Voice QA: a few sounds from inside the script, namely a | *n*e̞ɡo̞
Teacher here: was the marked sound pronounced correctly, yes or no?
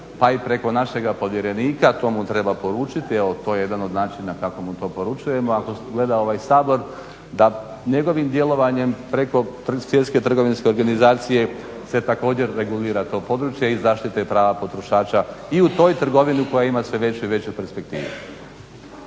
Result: no